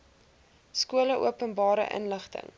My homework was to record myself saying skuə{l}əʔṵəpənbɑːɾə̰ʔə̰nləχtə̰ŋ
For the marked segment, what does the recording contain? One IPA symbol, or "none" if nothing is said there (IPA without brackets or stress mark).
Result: l